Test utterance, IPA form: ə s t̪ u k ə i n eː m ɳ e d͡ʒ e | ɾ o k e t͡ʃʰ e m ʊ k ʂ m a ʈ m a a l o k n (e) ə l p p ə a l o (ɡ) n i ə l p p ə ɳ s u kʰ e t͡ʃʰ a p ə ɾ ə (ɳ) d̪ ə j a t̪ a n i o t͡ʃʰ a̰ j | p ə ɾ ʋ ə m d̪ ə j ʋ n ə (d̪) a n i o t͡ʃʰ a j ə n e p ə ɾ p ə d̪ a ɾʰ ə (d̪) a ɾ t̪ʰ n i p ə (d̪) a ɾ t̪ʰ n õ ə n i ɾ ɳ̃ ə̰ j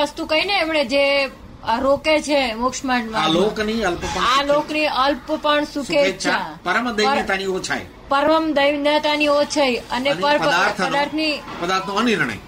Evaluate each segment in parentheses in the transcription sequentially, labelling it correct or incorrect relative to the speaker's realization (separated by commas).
incorrect, incorrect, incorrect, incorrect, correct, correct